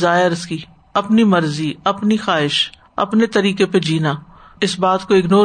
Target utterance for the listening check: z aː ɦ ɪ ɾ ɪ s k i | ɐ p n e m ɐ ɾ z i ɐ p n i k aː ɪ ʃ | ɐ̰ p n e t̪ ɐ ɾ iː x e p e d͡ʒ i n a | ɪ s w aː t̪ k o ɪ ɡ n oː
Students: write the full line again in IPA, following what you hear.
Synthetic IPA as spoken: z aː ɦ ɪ ɾ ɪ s k i | ɐ p n i m ɐ ɾ z i ɐ p n i x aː ɪ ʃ | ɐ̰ p n e t̪ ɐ ɾ iː k e p e d͡ʒ iː n a | ɪ s b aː t̪ k o ɪ ɡ n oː